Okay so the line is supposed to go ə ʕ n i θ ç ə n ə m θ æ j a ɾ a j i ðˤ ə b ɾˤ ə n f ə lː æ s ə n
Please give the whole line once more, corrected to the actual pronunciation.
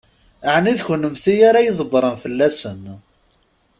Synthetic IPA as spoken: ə ʕ n i ð ç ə n ə m θ i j a ɾ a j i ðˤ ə b ɾˤ ə n f ə lː æ s ə n